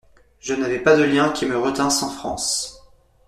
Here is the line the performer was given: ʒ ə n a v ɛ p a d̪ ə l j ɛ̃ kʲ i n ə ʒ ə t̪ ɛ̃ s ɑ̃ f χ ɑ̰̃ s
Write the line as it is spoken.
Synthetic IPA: ʒ ə n a v ɛ p a d̪ ə l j ɛ̃ kʲ i m ə ʁ ə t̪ ɛ̃ s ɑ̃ f χ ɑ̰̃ s